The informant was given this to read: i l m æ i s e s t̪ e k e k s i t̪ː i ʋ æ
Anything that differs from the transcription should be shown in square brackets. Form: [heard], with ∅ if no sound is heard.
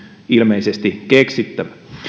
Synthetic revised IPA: i l m [e] i s e s t̪ [i] k e k s i t̪ː [æ] ʋ æ